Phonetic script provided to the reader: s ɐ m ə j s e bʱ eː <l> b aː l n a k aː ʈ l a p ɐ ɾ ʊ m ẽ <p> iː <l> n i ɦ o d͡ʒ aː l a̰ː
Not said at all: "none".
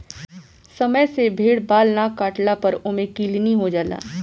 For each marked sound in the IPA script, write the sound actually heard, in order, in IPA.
ɽ, k, l

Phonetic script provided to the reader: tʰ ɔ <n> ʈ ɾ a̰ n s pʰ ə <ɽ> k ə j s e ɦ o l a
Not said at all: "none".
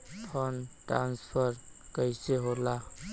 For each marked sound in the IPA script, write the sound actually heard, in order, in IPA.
n, ɾ

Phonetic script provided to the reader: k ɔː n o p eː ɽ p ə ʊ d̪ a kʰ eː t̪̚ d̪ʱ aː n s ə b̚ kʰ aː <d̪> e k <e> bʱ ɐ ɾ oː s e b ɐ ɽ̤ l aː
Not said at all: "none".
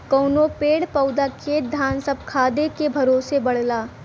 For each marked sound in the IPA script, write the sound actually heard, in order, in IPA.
d̪, e

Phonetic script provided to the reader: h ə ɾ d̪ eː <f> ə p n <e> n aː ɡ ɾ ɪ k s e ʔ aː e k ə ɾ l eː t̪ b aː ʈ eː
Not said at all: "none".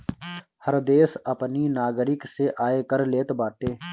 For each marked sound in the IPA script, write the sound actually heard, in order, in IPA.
s, i

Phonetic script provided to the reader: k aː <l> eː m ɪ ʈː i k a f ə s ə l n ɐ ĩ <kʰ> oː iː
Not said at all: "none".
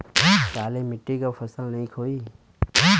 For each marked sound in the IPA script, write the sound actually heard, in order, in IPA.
l, kʰ

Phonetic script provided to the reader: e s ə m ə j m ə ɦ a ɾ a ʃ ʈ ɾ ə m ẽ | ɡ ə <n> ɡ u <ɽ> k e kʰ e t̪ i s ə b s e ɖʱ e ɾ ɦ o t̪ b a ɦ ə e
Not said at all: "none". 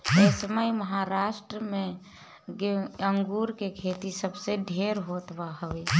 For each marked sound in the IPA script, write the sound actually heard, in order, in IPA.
ŋ, ɾ

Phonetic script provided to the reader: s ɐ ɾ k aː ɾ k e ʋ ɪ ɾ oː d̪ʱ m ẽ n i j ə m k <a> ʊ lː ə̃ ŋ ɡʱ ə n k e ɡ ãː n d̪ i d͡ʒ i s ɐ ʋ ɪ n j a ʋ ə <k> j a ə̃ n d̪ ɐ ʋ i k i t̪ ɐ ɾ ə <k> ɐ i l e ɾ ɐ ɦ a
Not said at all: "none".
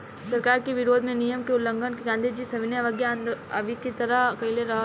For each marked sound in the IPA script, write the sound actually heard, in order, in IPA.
e, ɡ, k

